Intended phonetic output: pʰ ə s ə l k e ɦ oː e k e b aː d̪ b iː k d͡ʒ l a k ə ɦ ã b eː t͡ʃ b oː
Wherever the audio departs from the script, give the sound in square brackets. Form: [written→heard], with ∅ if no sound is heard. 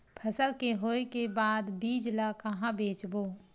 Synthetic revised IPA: pʰ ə s ə l k e ɦ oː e k e b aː d̪ b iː [k→∅] d͡ʒ l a k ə ɦ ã b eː t͡ʃ b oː